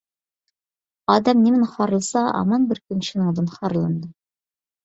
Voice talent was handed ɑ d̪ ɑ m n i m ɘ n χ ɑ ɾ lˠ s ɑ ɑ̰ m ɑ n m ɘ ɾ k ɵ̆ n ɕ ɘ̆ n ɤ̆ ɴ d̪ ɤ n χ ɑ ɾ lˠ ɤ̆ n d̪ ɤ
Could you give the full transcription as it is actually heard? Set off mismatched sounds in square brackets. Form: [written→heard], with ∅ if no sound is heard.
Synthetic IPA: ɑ d̪ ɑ m n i m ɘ n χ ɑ ɾ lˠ s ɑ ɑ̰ m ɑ n [m→b] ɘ ɾ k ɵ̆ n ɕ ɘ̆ n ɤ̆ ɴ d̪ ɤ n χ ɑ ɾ lˠ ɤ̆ n d̪ ɤ